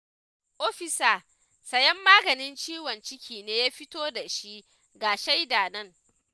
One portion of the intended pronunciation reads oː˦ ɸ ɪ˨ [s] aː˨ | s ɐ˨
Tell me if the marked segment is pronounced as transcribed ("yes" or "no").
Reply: yes